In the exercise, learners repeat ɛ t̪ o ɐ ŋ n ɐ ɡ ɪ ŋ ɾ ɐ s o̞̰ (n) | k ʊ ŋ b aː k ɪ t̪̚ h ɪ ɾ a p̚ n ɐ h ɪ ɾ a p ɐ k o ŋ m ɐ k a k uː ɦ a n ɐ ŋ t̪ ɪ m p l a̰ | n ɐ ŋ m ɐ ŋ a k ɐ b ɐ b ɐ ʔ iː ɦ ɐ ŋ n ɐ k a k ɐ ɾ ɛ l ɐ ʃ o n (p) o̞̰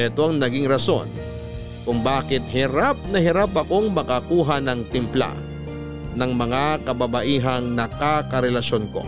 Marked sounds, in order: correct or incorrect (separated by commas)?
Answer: correct, incorrect